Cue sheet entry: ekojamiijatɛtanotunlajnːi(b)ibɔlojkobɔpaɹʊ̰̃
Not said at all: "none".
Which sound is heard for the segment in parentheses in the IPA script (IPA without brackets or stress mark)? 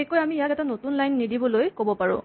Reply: d